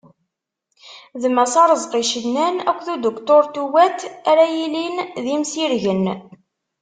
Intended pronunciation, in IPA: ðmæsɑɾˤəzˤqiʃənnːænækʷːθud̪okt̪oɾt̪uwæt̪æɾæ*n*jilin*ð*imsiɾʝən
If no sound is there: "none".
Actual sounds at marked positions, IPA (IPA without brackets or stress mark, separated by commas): none, ð